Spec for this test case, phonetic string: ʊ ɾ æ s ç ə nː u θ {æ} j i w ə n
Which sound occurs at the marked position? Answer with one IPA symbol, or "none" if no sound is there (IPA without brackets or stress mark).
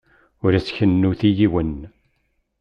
i